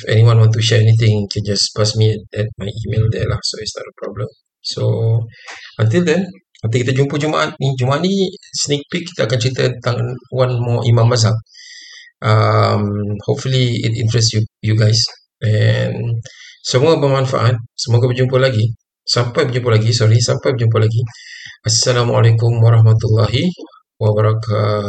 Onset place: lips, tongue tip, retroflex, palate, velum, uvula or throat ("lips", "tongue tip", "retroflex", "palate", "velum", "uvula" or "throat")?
lips